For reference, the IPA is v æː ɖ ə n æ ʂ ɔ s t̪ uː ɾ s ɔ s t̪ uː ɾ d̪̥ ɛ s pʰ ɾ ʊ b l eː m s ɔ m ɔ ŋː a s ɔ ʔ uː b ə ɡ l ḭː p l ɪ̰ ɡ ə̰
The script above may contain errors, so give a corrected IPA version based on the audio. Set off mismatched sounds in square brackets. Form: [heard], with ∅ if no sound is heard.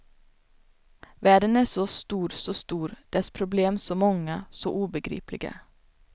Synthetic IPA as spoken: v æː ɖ ə n æ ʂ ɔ s t̪ uː ɾ s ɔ s t̪ uː ɾ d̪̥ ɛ s pʰ ɾ ʊ b l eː m s ɔ m ɔ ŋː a s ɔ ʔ uː b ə ɡ [ɾ] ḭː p l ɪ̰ ɡ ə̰